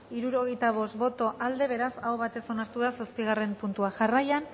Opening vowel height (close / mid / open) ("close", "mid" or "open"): close